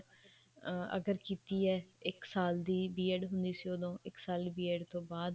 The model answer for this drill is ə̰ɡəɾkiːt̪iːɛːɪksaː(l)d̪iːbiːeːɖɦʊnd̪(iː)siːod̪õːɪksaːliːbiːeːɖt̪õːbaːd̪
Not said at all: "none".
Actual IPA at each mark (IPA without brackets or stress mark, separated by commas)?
l, iː